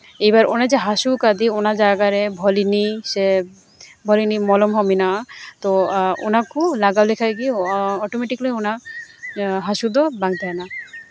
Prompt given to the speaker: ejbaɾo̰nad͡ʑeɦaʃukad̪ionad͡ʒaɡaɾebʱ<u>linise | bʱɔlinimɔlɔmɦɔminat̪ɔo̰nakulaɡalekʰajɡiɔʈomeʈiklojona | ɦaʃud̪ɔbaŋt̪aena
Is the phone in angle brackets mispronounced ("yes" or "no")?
yes